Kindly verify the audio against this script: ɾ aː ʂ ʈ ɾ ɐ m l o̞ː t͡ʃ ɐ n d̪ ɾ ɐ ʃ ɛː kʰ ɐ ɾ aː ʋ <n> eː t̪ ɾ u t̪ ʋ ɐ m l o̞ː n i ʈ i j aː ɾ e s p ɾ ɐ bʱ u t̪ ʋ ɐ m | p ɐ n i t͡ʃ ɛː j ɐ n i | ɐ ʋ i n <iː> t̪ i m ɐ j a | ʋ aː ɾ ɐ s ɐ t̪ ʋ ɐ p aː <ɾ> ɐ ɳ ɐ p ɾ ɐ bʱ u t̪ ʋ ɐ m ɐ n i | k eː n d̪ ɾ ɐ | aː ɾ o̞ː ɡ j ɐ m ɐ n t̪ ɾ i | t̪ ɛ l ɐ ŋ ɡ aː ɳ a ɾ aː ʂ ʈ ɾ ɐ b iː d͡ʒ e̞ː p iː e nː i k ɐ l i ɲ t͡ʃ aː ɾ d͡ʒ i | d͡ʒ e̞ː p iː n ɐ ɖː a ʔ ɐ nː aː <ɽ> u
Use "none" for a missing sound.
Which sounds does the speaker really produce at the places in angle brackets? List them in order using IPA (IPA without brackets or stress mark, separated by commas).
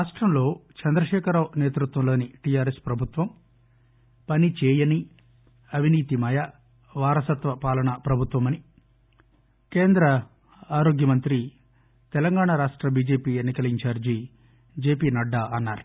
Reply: n, iː, l, ɾ